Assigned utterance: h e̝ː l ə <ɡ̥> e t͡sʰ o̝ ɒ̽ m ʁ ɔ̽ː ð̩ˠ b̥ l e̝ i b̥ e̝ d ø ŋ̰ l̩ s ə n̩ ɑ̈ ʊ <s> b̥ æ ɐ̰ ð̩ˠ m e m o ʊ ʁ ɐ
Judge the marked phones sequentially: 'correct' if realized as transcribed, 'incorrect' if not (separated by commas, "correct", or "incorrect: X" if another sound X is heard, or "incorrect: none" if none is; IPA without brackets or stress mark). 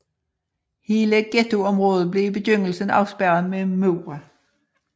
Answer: correct, correct